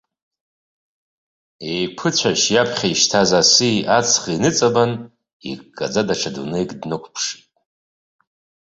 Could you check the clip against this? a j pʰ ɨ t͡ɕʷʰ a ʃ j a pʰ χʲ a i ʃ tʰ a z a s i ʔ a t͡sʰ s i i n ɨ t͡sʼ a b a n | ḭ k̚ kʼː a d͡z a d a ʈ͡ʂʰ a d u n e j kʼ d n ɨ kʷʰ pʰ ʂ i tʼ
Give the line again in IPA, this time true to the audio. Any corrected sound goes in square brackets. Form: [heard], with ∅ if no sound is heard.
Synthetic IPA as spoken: [e] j pʰ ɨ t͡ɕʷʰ a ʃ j a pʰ χʲ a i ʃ tʰ a z a s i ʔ a t͡sʰ [χ] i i n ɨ t͡sʼ a b a n | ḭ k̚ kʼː a d͡z a d a ʈ͡ʂʰ a d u n e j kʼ d n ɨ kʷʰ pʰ ʂ i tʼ

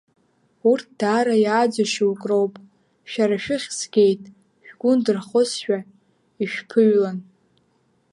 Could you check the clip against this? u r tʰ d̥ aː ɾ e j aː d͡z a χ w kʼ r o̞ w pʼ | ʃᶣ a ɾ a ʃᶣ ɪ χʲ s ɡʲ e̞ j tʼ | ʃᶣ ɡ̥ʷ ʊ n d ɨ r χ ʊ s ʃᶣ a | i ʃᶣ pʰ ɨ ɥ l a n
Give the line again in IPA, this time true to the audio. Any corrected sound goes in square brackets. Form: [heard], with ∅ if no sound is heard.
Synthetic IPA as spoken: u r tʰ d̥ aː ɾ [a] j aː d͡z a [ʃ] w kʼ r o̞ w pʼ | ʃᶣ a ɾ a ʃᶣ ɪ χʲ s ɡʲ e̞ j tʼ | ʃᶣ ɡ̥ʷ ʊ n d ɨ r χ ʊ s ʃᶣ a | i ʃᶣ pʰ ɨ ɥ l a n

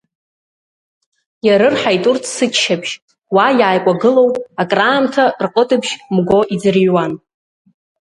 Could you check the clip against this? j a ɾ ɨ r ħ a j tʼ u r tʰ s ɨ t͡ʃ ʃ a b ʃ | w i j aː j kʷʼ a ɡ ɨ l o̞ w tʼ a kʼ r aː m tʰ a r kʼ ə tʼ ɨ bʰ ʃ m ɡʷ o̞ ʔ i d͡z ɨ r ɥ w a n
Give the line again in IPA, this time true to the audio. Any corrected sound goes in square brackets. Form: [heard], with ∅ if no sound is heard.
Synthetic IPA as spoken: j a ɾ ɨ r ħ a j tʼ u r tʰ s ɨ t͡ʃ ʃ a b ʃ | w [a] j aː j kʷʼ a ɡ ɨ l o̞ w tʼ a kʼ r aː m tʰ a r [qʼ] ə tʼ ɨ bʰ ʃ m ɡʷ o̞ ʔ i d͡z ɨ r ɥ w a n

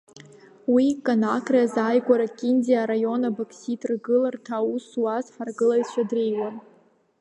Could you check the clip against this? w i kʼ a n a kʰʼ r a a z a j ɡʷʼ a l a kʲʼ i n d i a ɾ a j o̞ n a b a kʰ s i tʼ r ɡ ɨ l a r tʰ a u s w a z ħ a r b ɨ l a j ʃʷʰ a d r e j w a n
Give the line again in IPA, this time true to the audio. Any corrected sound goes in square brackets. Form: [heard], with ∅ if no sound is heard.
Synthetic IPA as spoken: w i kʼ a n a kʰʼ r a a z a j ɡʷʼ a [ɾ] a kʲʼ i n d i a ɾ a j o̞ n a b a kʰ s i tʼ r ɡ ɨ l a r tʰ a u s w a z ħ a r [ɡ] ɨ l a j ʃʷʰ a d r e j w a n

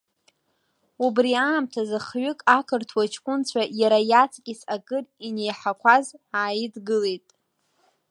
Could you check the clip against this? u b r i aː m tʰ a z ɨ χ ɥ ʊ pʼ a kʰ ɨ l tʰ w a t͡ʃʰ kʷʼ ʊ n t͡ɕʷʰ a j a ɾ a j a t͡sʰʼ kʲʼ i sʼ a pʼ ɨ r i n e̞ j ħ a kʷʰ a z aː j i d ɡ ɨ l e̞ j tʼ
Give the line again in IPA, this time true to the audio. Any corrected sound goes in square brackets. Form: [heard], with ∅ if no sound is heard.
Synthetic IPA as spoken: u b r i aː m tʰ a z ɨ χ ɥ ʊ [kʼ] a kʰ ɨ [r] tʰ w a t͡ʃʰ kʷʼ ʊ n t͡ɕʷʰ a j a ɾ a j a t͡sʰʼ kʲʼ i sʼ a [kʼ] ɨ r i n e̞ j ħ a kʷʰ a z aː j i d ɡ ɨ l e̞ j tʼ

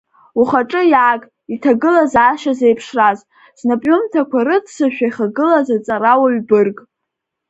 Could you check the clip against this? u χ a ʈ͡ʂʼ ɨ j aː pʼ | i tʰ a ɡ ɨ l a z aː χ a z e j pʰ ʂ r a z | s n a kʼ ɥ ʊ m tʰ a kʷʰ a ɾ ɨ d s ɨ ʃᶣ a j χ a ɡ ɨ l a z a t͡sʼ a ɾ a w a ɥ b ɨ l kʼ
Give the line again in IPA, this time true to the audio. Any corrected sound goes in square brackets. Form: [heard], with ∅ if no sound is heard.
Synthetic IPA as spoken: u χ a ʈ͡ʂʼ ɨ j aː [kʼ] | i tʰ a ɡ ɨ l a z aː [ʃ] a z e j pʰ ʂ r a z | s n a [pʼ] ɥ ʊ m tʰ a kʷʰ a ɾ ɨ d s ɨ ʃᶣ a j χ a ɡ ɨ l a z a t͡sʼ a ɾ a w a ɥ b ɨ [r] kʼ

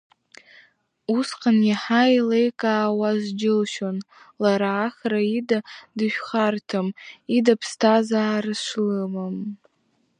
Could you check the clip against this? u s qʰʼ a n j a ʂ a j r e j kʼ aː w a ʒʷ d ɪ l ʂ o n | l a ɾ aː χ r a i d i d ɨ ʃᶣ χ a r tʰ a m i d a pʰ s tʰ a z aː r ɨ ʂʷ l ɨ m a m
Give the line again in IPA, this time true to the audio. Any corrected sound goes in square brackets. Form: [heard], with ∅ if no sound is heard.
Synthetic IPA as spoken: u s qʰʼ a n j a [ħ] a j [l] e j kʼ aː w a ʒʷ [d͡ʒ] ɪ l [ʃ] o n | l a ɾ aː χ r a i d [a] d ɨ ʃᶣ χ a r tʰ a m i d a pʰ s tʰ a z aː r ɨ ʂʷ l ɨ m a m

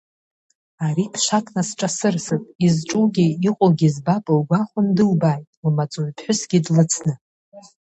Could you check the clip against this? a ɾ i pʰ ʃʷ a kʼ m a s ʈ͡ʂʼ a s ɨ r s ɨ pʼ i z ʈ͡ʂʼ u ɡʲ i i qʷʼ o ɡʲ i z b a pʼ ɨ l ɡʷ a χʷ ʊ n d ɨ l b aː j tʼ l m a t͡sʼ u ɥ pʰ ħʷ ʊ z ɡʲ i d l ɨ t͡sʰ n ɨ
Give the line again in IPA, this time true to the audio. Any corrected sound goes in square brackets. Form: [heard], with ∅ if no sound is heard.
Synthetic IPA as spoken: a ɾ i pʰ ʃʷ a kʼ [n] a s ʈ͡ʂʼ a s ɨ r s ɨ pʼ i z ʈ͡ʂʼ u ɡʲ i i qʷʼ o ɡʲ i z b a pʼ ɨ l ɡʷ a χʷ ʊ n d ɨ l b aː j tʼ l m a t͡sʼ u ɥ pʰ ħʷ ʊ [s] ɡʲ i d l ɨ t͡sʰ n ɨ

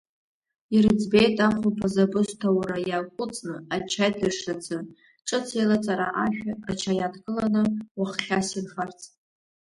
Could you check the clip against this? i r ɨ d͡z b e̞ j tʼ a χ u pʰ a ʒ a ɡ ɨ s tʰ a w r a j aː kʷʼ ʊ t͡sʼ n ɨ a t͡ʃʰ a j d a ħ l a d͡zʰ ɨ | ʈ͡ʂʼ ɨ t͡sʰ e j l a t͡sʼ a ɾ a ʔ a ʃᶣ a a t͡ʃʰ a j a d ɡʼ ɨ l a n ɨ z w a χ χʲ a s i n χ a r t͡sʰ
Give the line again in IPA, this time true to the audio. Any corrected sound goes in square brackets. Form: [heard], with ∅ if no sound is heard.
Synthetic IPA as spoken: i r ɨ d͡z b e̞ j tʼ a χ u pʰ a [z] a [b] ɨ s tʰ a w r a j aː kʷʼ ʊ t͡sʼ n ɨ a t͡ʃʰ a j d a [ʂ] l a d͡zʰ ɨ | ʈ͡ʂʼ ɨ t͡sʰ e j l a t͡sʼ a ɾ a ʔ a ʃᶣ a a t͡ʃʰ a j a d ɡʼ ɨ l a n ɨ [∅] w a χ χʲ a s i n χ a r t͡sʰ

